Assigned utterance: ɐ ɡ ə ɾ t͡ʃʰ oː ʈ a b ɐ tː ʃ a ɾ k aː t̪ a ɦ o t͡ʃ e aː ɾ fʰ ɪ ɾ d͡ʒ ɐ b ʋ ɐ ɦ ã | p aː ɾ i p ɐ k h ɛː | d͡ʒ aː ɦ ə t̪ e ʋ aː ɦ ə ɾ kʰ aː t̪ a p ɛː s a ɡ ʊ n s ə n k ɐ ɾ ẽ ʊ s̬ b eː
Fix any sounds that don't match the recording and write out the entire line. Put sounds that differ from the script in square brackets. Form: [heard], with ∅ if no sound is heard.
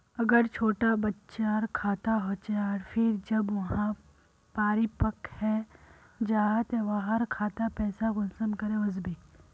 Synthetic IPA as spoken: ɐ ɡ ə ɾ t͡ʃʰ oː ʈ a b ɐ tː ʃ a ɾ [kʰ] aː t̪ a ɦ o t͡ʃ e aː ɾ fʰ ɪ ɾ d͡ʒ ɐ b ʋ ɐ ɦ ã | p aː ɾ i p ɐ k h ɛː | d͡ʒ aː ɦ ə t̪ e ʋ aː ɦ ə ɾ kʰ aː t̪ a p ɛː s a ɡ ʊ n s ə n k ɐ ɾ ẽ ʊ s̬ b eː